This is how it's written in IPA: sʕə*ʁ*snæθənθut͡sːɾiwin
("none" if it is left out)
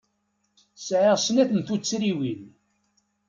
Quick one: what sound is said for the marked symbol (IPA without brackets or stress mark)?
ʁ